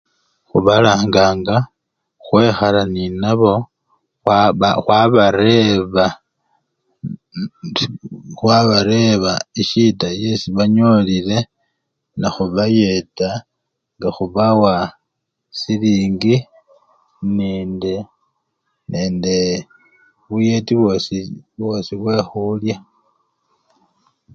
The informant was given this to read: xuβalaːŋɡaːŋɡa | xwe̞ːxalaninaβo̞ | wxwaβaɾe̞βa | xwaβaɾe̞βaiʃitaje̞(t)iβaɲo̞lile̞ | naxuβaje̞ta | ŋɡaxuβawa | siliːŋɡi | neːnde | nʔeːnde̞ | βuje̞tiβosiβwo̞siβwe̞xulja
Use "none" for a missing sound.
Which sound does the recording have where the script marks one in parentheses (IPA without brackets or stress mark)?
s